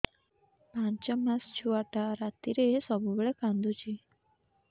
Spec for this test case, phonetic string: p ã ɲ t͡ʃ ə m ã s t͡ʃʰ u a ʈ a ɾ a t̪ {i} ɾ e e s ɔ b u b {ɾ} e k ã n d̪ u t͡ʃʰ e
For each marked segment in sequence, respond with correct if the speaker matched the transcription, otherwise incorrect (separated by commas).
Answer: correct, incorrect